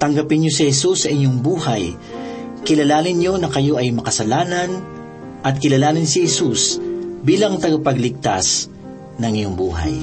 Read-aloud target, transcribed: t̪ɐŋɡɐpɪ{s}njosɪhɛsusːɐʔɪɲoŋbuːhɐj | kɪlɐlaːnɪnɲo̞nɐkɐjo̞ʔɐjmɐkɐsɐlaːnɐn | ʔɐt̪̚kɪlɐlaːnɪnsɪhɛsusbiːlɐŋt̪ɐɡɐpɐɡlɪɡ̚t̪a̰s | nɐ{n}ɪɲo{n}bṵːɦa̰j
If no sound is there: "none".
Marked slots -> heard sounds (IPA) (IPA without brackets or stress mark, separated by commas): none, ŋ, ŋ